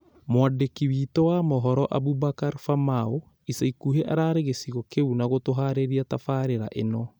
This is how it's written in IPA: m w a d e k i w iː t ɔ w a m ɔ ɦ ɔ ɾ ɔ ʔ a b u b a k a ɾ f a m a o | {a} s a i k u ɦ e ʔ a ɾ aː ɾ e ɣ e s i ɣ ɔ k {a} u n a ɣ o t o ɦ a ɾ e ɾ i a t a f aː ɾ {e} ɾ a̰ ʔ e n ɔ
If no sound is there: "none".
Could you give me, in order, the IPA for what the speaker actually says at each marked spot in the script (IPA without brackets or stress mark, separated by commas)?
i, e, e